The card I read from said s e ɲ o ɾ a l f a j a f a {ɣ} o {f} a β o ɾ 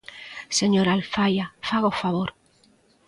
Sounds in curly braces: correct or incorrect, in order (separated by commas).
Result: correct, correct